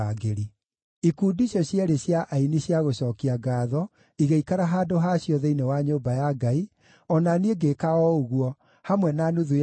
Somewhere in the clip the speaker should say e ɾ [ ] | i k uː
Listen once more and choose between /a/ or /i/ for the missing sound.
i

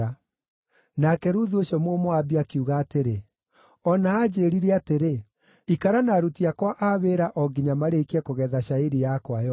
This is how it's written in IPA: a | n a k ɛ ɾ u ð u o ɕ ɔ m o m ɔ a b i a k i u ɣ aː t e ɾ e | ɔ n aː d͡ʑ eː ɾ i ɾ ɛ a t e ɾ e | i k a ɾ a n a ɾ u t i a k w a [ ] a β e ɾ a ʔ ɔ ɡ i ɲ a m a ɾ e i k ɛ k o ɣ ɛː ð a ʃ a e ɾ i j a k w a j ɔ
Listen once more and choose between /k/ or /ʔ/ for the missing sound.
ʔ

